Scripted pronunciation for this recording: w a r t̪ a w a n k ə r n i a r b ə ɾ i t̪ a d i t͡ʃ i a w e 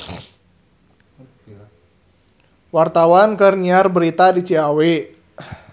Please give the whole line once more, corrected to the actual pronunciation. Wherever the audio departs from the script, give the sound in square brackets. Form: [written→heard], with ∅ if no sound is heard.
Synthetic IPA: w a r t̪ a w a n k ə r n i a r b ə ɾ i t̪ a d i t͡ʃ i a w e